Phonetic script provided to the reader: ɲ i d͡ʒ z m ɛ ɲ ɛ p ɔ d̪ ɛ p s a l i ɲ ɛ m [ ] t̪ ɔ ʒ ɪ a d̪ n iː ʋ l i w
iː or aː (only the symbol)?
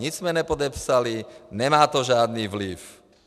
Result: aː